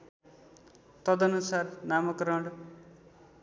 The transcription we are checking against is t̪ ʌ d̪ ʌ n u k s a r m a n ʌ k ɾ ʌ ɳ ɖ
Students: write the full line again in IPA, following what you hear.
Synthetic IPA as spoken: t̪ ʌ d̪ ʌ n u s a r n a m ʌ k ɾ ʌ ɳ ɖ